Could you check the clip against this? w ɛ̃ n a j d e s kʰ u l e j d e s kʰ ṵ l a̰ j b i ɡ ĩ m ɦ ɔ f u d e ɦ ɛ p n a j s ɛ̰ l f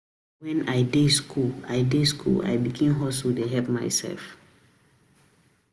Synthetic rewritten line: w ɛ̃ n a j d e s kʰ u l a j d e s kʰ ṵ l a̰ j b i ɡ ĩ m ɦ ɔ s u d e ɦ ɛ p m a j s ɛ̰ l f